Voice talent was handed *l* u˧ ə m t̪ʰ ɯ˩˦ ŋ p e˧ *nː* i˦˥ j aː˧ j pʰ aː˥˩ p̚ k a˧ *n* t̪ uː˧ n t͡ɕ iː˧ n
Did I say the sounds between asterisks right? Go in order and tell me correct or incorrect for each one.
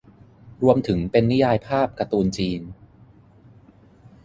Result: incorrect, correct, incorrect

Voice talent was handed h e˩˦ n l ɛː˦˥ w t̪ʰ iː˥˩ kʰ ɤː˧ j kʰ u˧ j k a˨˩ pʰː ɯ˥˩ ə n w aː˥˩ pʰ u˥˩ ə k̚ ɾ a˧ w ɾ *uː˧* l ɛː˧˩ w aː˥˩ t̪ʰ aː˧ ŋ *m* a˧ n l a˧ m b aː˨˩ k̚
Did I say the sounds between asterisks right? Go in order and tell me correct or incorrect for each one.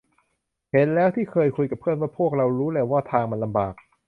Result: incorrect, correct

